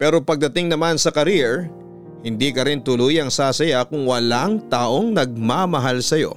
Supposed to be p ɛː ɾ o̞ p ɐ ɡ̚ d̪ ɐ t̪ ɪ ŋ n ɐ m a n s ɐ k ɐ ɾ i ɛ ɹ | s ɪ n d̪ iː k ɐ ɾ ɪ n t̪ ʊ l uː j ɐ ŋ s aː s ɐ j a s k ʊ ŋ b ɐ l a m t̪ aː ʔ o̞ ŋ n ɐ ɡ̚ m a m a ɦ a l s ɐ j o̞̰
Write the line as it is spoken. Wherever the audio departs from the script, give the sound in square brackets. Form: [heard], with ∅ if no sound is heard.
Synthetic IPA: p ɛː ɾ o̞ p ɐ ɡ̚ d̪ ɐ t̪ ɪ ŋ n ɐ m a n s ɐ k ɐ ɾ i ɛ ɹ | [h] ɪ n d̪ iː k ɐ ɾ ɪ n t̪ ʊ l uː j ɐ ŋ s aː s ɐ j a [∅] k ʊ ŋ [w] ɐ l a [ŋ] t̪ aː ʔ o̞ ŋ n ɐ ɡ̚ m a m [ɐ] ɦ a l s ɐ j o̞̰